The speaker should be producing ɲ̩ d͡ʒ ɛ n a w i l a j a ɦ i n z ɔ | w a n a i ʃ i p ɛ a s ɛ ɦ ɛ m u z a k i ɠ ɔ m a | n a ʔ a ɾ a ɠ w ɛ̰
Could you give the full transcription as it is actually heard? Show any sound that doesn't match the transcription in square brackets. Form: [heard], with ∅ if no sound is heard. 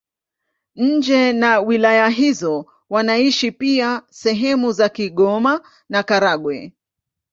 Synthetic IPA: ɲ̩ d͡ʒ ɛ n a w i l a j a ɦ i [∅] z ɔ | w a n a i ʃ i p [i] a s ɛ ɦ ɛ m u z a k i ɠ ɔ m a | n a [k] a ɾ a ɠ w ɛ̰